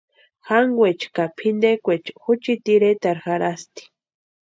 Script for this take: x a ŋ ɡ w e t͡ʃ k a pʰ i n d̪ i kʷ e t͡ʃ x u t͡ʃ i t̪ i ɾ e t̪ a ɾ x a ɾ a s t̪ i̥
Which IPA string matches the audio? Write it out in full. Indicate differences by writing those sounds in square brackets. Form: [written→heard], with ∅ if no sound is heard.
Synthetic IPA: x a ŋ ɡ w e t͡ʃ k a pʰ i n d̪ [i→e] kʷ e t͡ʃ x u t͡ʃ i t̪ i ɾ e t̪ a ɾ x a ɾ a s t̪ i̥